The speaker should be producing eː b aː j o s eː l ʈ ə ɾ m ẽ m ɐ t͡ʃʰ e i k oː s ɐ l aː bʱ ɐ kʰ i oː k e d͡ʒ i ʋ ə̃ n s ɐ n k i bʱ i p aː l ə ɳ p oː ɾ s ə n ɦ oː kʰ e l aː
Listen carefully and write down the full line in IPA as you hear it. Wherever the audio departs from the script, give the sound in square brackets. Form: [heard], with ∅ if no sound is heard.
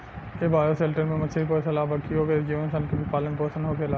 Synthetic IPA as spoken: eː b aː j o s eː l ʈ ə ɾ m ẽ m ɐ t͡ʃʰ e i [p] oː s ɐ l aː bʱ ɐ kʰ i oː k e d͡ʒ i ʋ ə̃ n s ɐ n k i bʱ i p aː l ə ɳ p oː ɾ s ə n ɦ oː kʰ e l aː